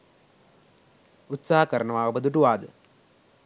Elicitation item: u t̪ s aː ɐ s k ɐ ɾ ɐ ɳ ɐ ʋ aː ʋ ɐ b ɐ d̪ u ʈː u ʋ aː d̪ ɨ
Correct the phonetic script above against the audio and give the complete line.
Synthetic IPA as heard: u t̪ s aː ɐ k ɐ ɾ ɐ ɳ ɐ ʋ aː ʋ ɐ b ɐ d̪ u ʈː u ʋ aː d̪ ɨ

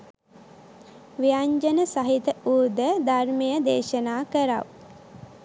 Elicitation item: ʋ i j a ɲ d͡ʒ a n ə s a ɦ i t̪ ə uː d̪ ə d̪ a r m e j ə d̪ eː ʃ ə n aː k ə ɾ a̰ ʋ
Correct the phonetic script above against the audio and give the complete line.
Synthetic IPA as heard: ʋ i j a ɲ d͡ʒ ə n ə s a ɦ i t̪ ə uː d̪ ə d̪ a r m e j ə d̪ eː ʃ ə n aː k ə ɾ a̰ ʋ

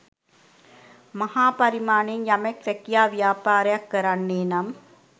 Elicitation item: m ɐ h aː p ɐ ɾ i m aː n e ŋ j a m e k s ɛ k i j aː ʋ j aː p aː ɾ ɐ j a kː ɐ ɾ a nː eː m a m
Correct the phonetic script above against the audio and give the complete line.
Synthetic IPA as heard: m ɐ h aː p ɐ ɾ i m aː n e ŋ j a m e k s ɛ k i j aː ʋ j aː p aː ɾ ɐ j a kː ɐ ɾ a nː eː n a m

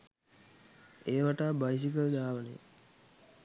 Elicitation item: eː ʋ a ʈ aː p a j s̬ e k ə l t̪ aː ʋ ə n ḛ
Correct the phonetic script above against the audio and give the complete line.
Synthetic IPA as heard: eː ʋ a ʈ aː b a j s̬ i k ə l d̪ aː ʋ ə n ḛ

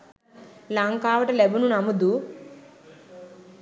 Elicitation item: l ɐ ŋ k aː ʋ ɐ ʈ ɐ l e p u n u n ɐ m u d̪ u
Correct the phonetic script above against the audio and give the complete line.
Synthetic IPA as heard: l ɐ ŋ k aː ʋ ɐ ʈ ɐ l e b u n u n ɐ m u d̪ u

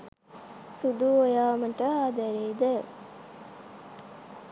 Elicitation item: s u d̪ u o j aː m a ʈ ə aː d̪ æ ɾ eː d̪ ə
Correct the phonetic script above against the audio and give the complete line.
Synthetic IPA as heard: s u d̪ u o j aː m ə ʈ ə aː d̪ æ ɾ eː d̪ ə

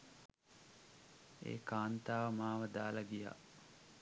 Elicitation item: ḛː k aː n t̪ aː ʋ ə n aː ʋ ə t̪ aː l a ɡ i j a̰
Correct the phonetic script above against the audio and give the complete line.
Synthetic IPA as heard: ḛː k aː n t̪ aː ʋ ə m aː ʋ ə d̪ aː l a ɡ i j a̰

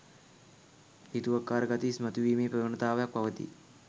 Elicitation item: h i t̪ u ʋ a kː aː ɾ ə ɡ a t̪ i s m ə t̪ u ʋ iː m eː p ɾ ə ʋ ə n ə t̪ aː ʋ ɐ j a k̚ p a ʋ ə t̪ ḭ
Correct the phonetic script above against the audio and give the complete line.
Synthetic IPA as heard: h i t̪ u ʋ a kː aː ɾ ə ɡ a t̪ i s m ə t̪ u ʋ iː m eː p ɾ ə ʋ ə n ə t̪ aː ʋ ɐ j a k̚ p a ʋ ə t̪ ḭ

